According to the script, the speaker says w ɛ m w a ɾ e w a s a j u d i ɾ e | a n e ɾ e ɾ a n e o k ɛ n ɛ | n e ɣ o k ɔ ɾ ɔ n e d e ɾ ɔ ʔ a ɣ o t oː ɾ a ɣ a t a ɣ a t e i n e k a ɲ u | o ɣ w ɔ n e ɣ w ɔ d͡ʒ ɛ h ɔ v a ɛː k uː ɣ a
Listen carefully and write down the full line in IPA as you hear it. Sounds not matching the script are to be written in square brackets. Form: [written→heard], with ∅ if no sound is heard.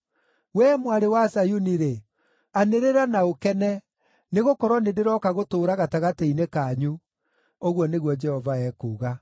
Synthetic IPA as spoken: w ɛ m w a ɾ e w a s a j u [d→n] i ɾ e | a n e ɾ e ɾ a n [e→a] o k ɛ n ɛ | n e ɣ o k ɔ ɾ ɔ n e d e ɾ ɔ [ʔ→k] a ɣ o t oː ɾ a ɣ a t a ɣ a t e i n e k a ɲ u | o ɣ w ɔ n e ɣ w ɔ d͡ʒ ɛ h ɔ v a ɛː k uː ɣ a